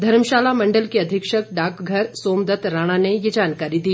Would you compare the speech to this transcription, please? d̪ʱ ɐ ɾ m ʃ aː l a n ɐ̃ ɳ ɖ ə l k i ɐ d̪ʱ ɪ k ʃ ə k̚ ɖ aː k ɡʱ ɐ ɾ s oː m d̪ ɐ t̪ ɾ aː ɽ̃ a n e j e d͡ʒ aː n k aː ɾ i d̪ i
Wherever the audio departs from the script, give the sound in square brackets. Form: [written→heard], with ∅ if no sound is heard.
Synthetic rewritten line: d̪ʱ ɐ ɾ m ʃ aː l a [n→m] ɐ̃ ɳ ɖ ə l k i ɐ d̪ʱ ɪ k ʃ ə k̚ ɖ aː k ɡʱ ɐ ɾ s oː m d̪ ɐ t̪ ɾ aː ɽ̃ a n e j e d͡ʒ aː n k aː ɾ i d̪ [i→iː]